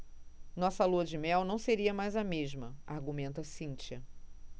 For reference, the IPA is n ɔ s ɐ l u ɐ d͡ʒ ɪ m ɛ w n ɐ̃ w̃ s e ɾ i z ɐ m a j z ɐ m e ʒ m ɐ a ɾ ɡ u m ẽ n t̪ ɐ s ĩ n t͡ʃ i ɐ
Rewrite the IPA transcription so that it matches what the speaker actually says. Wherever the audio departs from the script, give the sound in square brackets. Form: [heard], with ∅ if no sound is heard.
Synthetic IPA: n ɔ s ɐ l u ɐ d͡ʒ ɪ m ɛ w n ɐ̃ w̃ s e ɾ i [∅] ɐ m a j z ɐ m e ʒ m ɐ a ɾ ɡ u m ẽ n t̪ ɐ s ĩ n t͡ʃ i ɐ